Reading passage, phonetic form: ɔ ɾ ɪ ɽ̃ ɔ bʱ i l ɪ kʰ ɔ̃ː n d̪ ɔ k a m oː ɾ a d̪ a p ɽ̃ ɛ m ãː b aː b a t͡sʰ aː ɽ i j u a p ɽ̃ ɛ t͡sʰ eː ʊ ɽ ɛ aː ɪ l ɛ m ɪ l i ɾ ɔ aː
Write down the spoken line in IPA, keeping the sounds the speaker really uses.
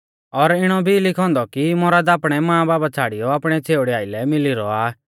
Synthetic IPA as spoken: ɔ ɾ ɪ ɽ̃ ɔ bʱ i l ɪ kʰ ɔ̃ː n d̪ ɔ k i m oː ɾ a d̪ a p ɽ̃ ɛ m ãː b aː b a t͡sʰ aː ɽ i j ɔ a p ɽ̃ ɛ t͡sʰ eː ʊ ɽ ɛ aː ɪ l ɛ m ɪ l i ɾ ɔ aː